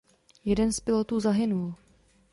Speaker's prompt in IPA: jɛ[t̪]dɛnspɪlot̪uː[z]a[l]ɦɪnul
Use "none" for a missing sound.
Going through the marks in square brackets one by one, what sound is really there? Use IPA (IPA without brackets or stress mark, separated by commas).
none, z, none